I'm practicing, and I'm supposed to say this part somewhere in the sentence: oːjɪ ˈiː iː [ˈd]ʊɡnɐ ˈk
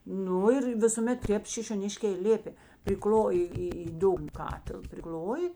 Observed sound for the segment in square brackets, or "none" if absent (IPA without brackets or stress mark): d